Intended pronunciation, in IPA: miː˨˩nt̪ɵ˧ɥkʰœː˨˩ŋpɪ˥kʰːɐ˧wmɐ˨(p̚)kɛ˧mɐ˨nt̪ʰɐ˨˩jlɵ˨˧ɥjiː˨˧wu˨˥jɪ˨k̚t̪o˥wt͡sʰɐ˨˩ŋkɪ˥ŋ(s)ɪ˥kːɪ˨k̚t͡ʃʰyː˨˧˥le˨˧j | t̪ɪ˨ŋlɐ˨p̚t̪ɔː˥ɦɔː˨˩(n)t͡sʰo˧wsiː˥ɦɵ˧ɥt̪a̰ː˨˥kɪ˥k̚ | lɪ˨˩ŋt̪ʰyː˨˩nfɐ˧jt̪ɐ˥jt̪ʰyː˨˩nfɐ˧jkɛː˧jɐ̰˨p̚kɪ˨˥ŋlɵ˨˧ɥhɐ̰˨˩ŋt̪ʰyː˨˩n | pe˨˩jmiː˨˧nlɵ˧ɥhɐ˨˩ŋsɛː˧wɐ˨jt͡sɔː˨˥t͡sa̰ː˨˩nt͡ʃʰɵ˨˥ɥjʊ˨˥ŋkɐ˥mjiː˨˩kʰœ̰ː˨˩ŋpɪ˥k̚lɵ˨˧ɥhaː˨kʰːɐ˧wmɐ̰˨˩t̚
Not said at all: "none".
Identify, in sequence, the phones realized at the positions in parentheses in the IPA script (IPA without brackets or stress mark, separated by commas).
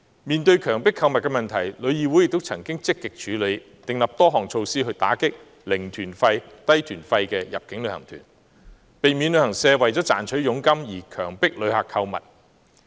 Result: t̚, t͡s, ŋ